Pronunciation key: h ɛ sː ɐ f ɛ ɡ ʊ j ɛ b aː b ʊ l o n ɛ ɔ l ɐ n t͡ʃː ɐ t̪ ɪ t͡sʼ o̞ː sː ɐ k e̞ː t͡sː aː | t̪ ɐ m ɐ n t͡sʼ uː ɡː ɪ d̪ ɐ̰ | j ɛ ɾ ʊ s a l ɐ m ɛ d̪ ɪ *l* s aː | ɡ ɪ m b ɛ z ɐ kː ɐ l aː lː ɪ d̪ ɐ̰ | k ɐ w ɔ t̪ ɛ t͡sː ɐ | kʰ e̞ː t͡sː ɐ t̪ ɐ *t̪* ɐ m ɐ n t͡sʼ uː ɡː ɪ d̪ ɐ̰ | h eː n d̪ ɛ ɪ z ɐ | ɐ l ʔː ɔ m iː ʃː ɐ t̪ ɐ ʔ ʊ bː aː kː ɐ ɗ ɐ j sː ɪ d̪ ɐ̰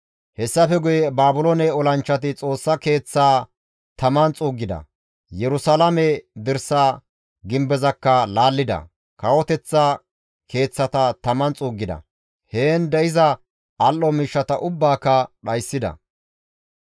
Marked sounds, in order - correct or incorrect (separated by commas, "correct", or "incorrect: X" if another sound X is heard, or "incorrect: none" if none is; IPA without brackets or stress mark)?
incorrect: ɾ, correct